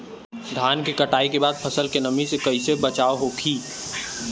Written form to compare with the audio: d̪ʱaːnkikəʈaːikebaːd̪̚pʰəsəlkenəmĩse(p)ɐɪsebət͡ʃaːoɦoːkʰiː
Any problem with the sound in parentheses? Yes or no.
yes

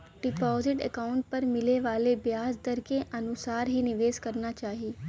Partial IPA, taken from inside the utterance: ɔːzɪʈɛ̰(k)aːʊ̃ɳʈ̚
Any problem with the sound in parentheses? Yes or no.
no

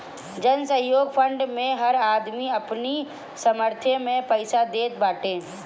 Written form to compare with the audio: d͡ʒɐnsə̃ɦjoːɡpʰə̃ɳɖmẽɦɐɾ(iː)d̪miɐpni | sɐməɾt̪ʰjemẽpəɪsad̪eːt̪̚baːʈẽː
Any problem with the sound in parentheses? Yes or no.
yes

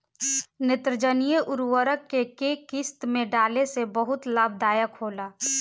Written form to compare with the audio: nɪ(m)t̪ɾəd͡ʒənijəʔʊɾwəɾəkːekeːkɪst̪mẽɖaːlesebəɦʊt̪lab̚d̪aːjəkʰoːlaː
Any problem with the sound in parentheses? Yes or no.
yes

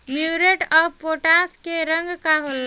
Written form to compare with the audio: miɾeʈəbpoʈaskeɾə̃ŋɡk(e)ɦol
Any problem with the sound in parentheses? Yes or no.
yes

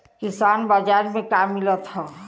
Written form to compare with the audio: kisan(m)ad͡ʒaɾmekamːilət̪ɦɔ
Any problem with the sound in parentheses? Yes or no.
yes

